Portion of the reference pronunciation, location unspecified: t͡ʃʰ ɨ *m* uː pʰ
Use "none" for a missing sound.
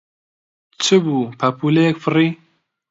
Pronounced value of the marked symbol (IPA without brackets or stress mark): b